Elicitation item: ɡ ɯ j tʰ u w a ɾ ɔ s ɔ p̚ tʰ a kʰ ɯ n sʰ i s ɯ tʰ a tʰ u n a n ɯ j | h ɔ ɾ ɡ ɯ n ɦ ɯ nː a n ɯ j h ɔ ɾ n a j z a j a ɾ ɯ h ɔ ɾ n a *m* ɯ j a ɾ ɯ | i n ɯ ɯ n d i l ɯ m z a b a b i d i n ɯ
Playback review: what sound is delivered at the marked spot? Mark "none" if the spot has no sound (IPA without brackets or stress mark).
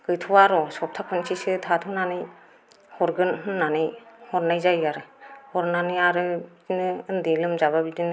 n